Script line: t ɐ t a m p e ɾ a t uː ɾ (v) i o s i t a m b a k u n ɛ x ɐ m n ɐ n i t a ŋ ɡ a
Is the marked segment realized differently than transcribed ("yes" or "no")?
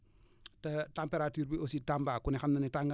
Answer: yes